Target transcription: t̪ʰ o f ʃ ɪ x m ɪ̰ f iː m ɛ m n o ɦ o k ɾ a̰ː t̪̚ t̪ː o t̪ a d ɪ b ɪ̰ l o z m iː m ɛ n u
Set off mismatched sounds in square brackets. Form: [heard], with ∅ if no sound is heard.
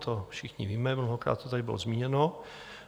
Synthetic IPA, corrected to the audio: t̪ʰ o f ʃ ɪ x [ɲ] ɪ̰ [v] iː m ɛ m n o ɦ o k ɾ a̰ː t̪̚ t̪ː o t̪ a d ɪ b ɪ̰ l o z m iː [ɲ] ɛ n [o]